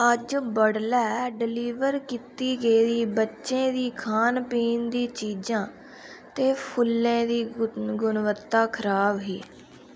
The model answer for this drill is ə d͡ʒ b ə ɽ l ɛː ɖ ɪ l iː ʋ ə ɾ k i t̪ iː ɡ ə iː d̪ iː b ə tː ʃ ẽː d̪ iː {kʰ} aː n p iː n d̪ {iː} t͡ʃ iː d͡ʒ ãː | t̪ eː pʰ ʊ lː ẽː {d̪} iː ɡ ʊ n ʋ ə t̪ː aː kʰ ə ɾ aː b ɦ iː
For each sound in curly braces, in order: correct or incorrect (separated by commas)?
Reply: correct, correct, correct